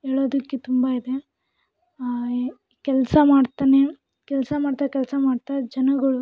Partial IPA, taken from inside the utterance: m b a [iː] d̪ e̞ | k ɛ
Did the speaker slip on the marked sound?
yes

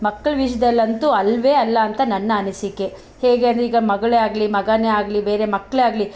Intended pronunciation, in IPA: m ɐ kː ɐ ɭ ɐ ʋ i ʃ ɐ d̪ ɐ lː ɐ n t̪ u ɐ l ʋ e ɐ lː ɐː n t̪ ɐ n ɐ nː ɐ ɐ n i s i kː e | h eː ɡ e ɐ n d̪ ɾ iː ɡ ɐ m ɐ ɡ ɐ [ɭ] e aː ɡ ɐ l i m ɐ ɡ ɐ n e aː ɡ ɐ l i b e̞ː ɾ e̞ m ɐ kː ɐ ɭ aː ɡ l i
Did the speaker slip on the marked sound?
no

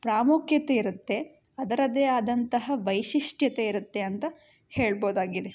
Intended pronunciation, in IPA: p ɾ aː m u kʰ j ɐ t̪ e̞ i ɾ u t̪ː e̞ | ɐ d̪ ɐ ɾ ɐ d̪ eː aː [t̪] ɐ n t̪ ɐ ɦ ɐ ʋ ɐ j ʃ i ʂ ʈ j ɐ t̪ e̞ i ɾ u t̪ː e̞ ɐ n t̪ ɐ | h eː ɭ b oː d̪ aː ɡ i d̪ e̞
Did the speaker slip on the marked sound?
yes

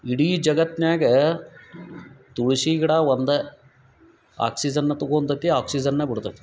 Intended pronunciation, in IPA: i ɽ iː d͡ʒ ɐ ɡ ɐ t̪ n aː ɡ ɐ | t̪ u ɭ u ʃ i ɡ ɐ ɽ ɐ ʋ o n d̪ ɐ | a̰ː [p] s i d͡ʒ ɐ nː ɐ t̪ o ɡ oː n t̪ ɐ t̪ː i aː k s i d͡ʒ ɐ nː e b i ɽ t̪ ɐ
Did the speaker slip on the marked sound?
yes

